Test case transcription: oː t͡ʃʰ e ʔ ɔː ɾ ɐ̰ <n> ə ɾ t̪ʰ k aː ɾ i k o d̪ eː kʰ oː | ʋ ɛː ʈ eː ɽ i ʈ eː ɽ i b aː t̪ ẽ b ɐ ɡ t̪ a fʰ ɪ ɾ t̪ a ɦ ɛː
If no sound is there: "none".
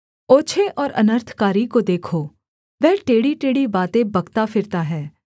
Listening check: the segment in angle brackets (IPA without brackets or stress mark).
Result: n